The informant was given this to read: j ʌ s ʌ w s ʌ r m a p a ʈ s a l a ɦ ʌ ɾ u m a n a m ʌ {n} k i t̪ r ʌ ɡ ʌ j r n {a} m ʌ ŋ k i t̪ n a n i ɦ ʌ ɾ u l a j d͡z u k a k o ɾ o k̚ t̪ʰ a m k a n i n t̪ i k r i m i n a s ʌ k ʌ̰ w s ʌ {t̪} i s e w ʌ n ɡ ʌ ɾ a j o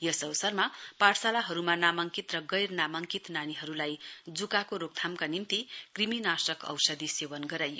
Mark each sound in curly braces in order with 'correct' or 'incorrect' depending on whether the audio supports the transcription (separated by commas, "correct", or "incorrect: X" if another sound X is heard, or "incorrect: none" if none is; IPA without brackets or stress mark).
incorrect: ŋ, correct, incorrect: d̪